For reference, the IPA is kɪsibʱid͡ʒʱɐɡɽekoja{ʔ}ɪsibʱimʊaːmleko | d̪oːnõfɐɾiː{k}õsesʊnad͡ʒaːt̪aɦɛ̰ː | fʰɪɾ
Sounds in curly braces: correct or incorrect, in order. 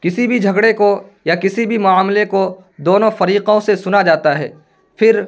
incorrect: k, incorrect: q

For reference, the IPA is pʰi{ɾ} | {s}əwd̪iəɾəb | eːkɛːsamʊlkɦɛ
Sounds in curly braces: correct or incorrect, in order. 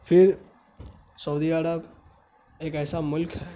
correct, correct

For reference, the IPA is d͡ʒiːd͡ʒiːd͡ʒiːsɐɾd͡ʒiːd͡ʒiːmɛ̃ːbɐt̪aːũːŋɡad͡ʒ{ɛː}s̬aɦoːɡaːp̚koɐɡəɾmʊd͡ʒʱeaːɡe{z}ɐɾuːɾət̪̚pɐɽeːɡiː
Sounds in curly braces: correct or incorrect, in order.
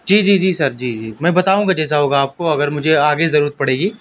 correct, correct

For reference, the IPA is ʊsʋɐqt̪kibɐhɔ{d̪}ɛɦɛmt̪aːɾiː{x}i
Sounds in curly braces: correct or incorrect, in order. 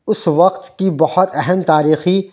incorrect: t̪, correct

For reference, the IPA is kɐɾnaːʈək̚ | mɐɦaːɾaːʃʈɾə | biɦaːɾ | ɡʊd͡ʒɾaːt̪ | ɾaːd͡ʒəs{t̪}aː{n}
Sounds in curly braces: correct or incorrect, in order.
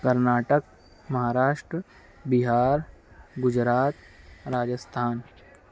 incorrect: t̪ʰ, correct

